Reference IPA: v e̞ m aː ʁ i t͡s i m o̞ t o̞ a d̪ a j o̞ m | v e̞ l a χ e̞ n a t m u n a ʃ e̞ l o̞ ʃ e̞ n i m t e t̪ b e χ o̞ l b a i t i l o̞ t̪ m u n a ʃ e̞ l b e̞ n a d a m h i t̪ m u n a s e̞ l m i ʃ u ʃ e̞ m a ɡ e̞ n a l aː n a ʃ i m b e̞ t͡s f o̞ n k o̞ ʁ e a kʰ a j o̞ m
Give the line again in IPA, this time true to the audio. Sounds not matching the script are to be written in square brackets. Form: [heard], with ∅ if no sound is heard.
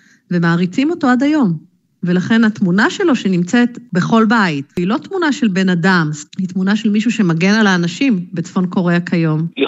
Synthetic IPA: v e̞ m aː ʁ i t͡s i m o̞ t o̞ a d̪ a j o̞ m | v e̞ l a χ e̞ n a t m u n a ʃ e̞ l o̞ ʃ e̞ n i m [t͡s] e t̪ b e χ o̞ l b a i t i l o̞ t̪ m u n a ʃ e̞ l b e̞ n a d a m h i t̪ m u n a [ʃ] e̞ l m i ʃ u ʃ e̞ m a ɡ e̞ n a l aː n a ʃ i m b e̞ t͡s f o̞ n k o̞ ʁ e a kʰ a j o̞ m